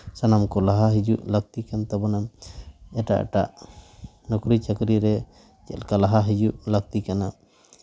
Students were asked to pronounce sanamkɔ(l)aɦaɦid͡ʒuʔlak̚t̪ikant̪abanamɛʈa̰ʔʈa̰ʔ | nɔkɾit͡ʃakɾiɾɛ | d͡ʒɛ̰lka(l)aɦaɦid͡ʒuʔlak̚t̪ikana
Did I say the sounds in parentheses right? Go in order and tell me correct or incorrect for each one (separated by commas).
correct, correct